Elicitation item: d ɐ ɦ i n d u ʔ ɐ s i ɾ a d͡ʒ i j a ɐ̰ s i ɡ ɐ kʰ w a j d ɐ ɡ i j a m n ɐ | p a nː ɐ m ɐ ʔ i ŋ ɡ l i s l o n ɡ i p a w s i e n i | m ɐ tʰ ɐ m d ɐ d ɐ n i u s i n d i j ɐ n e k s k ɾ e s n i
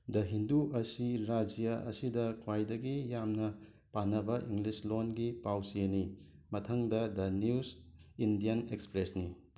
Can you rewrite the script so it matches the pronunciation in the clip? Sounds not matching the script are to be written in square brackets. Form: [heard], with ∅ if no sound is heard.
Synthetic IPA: d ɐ ɦ i n d u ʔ ɐ s i ɾ a d͡ʒ i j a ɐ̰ s i [d] ɐ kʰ w a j d ɐ ɡ i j a m n ɐ | p a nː ɐ [b] ɐ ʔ i ŋ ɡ l i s l o n ɡ i p a w s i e n i | m ɐ tʰ ɐ [ŋ] d ɐ d ɐ n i u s i n d i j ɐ n e k s [p] ɾ e s n i